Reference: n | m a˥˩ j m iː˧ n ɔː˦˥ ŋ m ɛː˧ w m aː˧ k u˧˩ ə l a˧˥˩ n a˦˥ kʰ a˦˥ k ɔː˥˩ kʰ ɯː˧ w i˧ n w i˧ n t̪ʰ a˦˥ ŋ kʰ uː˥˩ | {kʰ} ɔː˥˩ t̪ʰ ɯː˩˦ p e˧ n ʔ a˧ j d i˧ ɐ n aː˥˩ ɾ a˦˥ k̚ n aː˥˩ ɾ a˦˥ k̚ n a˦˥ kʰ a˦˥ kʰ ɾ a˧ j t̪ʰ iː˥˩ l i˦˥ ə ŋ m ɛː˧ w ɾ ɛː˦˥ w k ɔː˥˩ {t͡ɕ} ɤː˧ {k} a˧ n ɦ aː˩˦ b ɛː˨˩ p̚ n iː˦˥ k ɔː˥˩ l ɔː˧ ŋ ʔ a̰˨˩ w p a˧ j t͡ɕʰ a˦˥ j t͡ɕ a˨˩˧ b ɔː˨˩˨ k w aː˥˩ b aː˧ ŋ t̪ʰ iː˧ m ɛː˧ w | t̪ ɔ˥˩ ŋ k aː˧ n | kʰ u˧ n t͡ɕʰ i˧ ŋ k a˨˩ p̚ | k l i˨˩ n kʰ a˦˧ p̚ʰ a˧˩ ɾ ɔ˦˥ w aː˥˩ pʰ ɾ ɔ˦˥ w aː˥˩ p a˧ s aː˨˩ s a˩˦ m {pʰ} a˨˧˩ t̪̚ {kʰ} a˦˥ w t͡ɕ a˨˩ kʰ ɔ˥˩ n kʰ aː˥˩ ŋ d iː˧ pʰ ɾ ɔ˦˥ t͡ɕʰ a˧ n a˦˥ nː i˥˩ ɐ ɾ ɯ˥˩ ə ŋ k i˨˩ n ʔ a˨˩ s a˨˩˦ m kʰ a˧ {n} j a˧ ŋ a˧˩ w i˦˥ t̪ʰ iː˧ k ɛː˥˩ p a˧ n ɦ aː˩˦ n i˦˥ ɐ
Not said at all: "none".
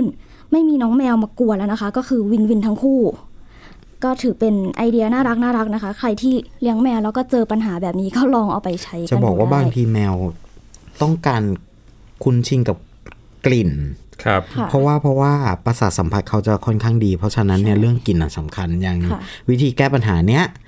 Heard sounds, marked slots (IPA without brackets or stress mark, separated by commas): k, t͡ɕ, p, pʰ, kʰ, n